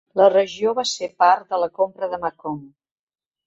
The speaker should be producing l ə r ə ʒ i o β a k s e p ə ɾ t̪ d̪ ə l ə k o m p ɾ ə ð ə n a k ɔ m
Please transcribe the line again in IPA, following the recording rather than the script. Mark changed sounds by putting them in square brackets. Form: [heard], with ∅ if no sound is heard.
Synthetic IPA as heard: l ə r ə ʒ i o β a [∅] s e p [a] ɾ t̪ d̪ ə l ə k o m p ɾ ə ð ə [m] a k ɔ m